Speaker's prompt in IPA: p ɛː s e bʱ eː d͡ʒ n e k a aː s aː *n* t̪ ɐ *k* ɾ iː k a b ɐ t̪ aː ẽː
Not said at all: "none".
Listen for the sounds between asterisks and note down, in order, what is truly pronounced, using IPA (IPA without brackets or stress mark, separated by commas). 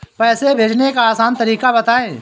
n, none